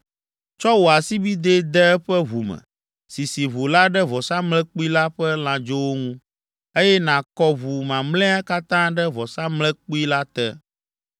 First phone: t͡ʃ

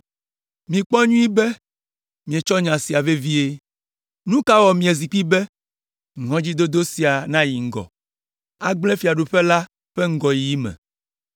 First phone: m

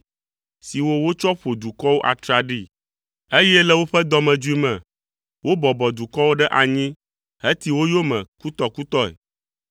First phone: s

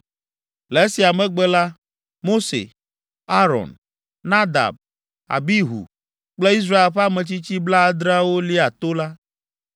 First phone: l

